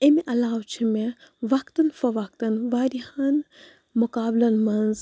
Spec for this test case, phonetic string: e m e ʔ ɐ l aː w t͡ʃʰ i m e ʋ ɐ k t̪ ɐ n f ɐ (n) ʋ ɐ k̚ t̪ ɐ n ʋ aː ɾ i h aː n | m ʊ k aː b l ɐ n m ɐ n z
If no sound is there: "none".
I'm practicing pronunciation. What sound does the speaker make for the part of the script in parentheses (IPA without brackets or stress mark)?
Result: none